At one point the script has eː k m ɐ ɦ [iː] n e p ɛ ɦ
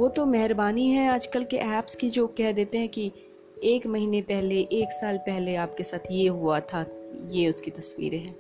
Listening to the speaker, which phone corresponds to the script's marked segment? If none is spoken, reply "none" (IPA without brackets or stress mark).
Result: iː